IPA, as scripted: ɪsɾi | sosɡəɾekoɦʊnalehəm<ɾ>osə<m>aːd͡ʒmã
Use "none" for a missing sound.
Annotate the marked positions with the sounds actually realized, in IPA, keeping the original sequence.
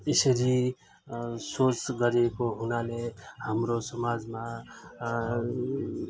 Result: ɾ, m

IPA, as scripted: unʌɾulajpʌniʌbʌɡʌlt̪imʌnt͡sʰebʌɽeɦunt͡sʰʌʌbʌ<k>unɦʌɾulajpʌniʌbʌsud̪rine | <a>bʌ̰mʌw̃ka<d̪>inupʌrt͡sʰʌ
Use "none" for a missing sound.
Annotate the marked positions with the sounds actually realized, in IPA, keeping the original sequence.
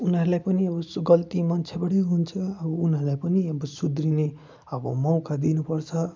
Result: none, ʌ, d̪

